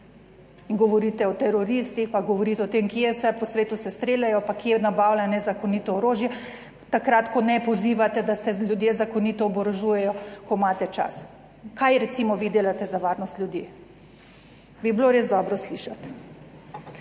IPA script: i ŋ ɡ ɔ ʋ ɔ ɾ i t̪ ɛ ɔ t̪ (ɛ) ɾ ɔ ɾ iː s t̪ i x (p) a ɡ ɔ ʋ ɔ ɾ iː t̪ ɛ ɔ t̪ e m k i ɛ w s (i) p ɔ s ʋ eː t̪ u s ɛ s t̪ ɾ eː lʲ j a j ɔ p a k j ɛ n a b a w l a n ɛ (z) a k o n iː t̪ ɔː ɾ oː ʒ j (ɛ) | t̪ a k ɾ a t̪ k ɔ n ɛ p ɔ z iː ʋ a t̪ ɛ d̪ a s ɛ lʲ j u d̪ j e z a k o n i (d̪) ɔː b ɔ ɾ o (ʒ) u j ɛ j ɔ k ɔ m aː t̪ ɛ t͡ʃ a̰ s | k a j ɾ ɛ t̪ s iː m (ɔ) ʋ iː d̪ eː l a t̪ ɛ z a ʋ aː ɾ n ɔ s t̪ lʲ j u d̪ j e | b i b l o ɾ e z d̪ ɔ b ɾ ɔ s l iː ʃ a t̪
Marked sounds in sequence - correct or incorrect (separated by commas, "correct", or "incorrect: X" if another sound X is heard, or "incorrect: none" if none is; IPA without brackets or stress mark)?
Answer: correct, correct, incorrect: ɛ, correct, correct, incorrect: t̪, correct, correct